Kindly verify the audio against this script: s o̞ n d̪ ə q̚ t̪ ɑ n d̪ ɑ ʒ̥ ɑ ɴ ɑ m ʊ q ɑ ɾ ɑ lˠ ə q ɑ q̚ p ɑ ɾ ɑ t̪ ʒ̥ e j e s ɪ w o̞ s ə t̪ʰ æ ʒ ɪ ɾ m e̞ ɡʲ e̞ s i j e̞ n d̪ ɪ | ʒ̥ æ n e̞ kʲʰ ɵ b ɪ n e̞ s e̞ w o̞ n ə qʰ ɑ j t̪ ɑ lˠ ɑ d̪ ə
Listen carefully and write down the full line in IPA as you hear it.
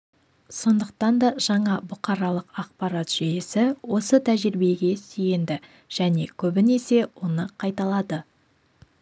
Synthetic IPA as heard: s o̞ n d̪ ə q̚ t̪ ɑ n d̪ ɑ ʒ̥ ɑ ɴ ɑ b ʊ q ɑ ɾ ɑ lˠ ə q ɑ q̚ p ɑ ɾ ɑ t̪ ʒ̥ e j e s ɪ w o̞ s ə t̪ʰ æ ʒ ɪ ɾ b e̞ ɡʲ e̞ s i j e̞ n d̪ ɪ | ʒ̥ æ n e̞ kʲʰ ɵ b ɪ n e̞ s e̞ w o̞ n ə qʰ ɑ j t̪ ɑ lˠ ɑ d̪ ə